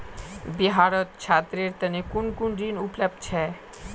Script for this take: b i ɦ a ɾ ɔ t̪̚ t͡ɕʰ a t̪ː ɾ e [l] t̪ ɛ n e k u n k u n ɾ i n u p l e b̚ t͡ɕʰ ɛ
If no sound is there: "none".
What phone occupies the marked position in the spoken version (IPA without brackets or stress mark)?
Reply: ɾ